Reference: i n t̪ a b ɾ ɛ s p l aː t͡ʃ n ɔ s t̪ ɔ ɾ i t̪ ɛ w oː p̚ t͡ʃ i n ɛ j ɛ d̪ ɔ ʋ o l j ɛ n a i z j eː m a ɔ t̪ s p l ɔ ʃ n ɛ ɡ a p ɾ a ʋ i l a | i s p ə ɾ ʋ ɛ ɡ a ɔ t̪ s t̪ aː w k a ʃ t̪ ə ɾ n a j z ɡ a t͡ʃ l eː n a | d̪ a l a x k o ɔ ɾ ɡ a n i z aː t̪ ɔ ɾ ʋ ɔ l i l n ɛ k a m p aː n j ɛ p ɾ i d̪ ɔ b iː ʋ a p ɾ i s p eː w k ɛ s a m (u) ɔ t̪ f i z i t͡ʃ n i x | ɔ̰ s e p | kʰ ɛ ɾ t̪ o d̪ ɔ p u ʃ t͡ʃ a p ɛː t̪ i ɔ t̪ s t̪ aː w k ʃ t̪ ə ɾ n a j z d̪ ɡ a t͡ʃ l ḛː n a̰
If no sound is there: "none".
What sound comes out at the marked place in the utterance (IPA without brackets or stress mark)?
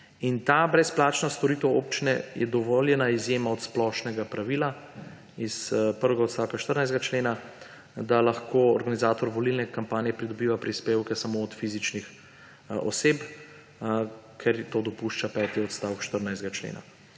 o